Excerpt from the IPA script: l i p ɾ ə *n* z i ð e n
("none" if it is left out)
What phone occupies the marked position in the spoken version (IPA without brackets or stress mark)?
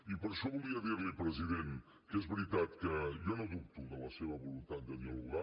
none